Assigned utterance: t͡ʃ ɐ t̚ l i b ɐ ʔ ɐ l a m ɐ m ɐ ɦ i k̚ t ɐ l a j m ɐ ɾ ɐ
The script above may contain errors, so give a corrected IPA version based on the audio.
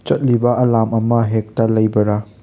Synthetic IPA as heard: t͡ʃ ɐ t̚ l i b ɐ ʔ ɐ l a m ɐ m ɐ ɦ e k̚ t ɐ l ɐ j b ɐ ɾ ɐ